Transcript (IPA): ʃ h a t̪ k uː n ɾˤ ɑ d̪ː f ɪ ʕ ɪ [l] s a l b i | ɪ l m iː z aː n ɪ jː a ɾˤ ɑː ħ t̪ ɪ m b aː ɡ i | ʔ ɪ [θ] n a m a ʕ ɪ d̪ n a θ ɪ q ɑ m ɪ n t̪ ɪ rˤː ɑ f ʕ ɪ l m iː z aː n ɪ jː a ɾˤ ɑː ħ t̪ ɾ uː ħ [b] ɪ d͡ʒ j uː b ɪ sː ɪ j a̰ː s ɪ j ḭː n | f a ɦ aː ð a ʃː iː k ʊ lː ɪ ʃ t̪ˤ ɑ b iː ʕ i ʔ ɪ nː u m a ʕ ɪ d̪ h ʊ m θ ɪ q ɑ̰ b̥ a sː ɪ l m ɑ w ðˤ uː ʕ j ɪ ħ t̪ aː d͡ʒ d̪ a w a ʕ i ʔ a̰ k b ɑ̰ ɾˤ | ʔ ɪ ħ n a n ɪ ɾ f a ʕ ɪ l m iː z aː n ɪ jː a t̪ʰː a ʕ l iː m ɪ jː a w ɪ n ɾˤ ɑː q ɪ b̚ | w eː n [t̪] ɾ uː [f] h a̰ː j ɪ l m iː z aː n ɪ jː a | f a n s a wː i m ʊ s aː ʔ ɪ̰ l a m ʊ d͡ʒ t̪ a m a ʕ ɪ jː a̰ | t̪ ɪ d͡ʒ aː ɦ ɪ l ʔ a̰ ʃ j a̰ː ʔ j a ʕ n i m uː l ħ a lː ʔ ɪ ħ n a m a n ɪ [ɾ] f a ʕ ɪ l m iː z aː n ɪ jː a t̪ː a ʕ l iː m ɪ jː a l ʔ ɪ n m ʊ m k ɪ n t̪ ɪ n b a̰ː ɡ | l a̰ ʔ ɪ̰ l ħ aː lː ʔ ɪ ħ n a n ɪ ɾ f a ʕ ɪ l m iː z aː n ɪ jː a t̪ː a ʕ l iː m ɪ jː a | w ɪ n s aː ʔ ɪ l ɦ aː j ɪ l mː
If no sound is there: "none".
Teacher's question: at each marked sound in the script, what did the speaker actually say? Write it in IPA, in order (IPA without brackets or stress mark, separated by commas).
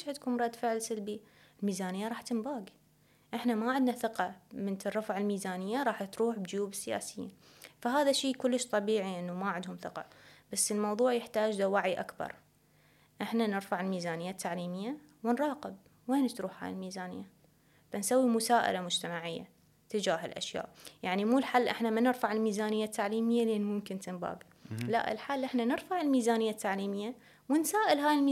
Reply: l, ħ, b, t̪, ħ, ɾ